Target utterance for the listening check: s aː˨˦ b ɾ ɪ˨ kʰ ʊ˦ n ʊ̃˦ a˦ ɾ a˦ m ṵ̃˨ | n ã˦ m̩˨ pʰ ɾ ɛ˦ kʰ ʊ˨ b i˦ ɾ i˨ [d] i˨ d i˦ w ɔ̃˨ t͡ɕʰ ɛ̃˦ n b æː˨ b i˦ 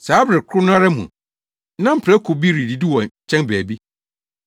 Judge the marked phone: correct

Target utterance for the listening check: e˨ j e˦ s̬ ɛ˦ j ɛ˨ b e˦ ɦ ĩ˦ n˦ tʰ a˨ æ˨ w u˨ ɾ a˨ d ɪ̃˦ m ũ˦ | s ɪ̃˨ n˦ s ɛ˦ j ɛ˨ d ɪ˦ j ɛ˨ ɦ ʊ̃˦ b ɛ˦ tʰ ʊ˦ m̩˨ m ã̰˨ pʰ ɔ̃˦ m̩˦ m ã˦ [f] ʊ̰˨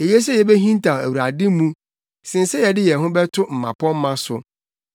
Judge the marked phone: incorrect: s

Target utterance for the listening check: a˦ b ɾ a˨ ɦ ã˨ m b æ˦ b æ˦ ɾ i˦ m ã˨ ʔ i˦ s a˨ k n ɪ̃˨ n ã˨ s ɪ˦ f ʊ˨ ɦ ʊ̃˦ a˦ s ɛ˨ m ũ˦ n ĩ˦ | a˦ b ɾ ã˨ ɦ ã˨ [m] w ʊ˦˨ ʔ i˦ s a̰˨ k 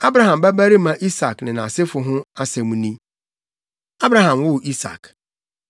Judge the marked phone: correct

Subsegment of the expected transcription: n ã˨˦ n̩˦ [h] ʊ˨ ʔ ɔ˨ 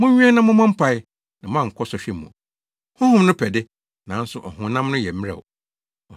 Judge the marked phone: incorrect: s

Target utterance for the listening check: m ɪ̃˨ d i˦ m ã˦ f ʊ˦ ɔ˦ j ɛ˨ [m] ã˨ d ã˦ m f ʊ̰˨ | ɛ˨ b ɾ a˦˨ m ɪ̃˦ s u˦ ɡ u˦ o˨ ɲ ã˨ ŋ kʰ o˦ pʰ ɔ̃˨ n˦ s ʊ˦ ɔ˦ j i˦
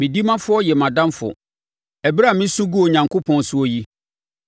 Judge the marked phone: correct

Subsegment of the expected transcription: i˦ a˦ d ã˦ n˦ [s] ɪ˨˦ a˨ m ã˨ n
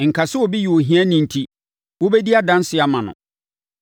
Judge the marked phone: correct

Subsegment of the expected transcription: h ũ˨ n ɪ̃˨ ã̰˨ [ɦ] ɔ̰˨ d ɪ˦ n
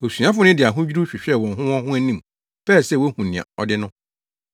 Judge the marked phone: incorrect: none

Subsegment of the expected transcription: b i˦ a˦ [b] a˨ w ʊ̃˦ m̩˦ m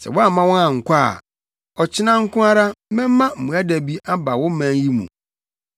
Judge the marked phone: correct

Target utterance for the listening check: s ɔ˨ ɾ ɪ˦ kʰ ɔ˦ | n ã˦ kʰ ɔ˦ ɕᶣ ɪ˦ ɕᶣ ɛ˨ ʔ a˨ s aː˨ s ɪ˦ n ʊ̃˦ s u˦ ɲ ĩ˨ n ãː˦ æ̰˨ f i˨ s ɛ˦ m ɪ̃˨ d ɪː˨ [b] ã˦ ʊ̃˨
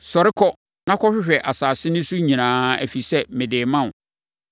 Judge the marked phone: incorrect: m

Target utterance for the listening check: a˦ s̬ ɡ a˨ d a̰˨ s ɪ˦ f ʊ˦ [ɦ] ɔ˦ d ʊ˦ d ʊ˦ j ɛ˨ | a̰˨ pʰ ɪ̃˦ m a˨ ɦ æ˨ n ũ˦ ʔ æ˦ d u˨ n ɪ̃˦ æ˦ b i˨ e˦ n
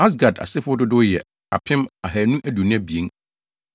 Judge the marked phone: incorrect: none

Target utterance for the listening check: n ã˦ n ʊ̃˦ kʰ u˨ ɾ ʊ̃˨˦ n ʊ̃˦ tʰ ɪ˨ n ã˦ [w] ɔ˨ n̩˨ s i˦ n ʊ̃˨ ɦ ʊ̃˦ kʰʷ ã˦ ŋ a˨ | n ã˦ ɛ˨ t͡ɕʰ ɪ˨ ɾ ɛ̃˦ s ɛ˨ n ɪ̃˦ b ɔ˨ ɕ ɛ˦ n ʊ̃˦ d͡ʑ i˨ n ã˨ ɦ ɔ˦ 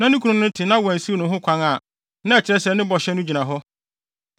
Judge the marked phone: correct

